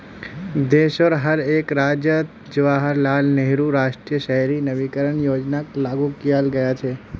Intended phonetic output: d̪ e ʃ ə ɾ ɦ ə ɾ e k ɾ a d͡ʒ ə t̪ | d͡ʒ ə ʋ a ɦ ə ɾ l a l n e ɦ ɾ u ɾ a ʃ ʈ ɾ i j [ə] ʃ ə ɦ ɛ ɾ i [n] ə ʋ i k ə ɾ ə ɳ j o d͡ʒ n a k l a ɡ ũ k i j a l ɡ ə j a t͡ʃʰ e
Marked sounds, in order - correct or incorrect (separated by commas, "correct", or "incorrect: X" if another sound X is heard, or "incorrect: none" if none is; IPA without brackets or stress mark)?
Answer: correct, correct